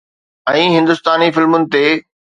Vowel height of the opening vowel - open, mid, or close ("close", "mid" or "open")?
mid